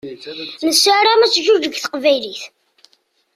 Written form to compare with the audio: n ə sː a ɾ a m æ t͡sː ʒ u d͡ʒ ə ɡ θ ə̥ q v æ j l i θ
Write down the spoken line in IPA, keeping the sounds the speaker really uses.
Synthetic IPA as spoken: n ə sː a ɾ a m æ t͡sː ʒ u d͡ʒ ə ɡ θ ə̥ q v æ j l i θ